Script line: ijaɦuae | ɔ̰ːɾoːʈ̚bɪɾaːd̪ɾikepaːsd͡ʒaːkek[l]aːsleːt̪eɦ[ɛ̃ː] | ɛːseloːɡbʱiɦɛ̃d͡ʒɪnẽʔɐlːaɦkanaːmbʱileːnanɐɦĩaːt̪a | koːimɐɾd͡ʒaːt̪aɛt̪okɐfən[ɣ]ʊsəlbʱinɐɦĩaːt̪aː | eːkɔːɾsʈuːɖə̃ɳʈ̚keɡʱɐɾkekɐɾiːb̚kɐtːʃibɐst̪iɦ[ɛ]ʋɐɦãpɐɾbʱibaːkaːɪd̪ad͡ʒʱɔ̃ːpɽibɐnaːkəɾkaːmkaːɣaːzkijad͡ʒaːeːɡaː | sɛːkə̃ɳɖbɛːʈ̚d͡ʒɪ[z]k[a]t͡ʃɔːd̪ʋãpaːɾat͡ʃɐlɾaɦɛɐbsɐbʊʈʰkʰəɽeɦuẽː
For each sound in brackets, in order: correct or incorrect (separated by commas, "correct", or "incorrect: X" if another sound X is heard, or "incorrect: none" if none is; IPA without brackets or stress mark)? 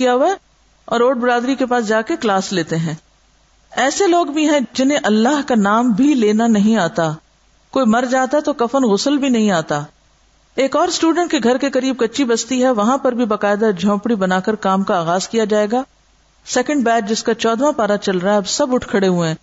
correct, correct, correct, correct, incorrect: s, correct